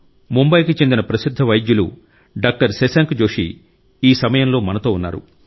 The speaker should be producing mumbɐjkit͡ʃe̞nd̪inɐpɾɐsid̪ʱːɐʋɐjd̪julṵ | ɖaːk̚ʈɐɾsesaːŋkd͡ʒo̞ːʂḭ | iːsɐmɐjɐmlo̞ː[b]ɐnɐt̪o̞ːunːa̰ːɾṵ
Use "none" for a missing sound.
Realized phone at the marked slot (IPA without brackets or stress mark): m